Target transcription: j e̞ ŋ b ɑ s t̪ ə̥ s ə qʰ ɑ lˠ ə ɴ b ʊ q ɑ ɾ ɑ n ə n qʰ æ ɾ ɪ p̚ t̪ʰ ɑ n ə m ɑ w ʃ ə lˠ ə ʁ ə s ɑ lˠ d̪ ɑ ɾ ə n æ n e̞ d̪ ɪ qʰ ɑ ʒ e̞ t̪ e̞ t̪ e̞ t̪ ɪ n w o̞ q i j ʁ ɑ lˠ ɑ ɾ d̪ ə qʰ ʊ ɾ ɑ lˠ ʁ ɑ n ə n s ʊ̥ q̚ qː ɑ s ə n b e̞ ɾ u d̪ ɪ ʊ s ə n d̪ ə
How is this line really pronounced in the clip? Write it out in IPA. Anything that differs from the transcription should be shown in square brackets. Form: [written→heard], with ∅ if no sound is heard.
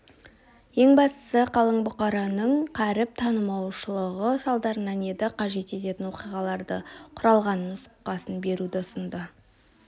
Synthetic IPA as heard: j e̞ ŋ b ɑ s t̪ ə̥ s ə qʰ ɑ lˠ ə ɴ b ʊ q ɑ ɾ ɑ n ə [n→ɴ] qʰ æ ɾ ɪ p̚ t̪ʰ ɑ n ə m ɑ w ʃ ə lˠ ə ʁ ə s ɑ lˠ d̪ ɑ ɾ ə n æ n e̞ d̪ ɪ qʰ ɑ ʒ e̞ t̪ e̞ t̪ e̞ t̪ ɪ n w o̞ q i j ʁ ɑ lˠ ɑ ɾ d̪ ə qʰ ʊ ɾ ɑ lˠ ʁ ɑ n ə n s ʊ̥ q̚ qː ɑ s ə n b e̞ ɾ u d̪ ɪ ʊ s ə n d̪ ə